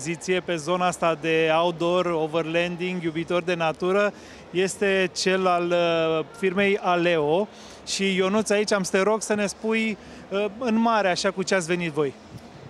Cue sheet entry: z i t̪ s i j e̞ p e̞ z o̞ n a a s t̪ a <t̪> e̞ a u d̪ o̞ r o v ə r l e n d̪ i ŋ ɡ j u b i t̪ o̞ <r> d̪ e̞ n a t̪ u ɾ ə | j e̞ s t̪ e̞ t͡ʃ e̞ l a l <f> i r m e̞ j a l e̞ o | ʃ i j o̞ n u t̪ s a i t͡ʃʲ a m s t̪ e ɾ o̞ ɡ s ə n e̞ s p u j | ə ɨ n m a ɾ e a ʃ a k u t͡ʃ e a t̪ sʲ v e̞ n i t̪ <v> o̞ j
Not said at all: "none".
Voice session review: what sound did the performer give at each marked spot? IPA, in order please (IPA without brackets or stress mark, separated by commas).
d̪, r, f, v